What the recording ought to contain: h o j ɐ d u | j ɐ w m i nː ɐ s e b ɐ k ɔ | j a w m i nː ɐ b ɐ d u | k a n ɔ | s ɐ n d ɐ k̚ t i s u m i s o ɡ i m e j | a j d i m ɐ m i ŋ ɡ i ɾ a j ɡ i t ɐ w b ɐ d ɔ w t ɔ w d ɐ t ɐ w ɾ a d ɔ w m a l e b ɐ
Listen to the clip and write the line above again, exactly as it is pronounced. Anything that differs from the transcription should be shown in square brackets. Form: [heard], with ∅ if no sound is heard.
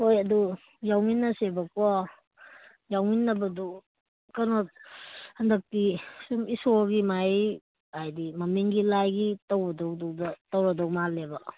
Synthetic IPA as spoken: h o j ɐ d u | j [a] w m i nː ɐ s e b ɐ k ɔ | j a w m i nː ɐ b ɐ d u | k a n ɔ | [h] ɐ n d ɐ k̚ t i s u m i s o ɡ i m [a] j | a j d i m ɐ m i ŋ ɡ i [l] a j ɡ i t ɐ w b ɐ d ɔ w [d] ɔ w d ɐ t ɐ w ɾ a d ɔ w m a l e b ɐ